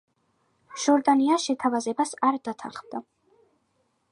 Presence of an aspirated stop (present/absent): present